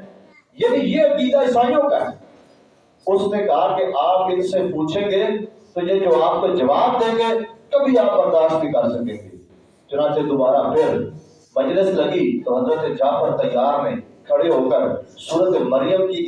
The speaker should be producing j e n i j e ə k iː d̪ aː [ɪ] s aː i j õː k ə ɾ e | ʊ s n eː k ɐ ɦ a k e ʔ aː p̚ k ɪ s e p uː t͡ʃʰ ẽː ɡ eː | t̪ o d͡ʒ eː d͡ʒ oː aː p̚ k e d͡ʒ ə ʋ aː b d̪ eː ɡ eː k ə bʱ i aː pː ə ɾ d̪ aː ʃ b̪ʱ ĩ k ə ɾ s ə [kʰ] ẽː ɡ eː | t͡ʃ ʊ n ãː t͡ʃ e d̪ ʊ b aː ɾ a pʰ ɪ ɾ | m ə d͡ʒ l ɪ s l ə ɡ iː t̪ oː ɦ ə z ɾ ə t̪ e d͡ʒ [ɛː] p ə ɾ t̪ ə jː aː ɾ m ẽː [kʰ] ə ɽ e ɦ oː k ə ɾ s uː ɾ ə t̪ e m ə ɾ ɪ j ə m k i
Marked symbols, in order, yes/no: yes, no, no, yes

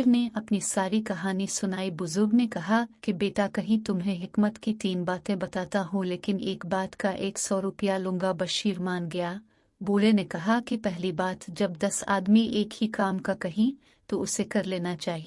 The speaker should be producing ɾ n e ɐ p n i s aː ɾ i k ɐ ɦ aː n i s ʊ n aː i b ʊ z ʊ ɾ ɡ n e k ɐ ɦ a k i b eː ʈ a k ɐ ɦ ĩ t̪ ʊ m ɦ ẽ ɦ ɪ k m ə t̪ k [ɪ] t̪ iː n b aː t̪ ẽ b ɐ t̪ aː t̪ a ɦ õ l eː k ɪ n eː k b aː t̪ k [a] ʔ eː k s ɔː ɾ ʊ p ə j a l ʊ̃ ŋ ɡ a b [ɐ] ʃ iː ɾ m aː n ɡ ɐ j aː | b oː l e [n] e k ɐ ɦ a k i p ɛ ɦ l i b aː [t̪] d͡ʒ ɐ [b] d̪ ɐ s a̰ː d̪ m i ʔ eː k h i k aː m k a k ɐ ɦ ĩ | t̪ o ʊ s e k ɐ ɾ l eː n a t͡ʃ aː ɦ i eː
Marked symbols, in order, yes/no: no, yes, yes, yes, yes, yes

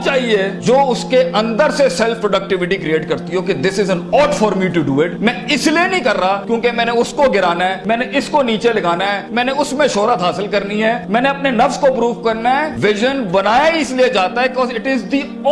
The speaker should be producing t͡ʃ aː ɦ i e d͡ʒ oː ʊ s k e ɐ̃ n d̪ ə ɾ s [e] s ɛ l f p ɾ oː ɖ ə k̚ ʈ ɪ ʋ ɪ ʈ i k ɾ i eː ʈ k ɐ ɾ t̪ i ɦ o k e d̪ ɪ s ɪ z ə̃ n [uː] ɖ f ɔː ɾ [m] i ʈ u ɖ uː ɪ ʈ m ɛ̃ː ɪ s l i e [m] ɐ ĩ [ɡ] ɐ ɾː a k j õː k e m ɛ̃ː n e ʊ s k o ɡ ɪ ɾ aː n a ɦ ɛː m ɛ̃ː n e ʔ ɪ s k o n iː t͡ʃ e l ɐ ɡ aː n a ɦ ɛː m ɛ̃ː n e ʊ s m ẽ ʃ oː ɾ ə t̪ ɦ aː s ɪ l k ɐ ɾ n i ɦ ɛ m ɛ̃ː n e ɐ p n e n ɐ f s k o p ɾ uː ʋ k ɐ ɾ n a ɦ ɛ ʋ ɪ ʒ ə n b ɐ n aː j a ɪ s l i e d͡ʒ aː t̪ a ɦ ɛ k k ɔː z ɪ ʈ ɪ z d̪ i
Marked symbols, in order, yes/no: yes, no, yes, no, no

